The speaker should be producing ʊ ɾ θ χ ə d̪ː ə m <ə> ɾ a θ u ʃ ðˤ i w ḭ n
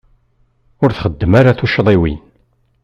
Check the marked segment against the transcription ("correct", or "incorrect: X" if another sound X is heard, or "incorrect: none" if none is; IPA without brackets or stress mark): incorrect: a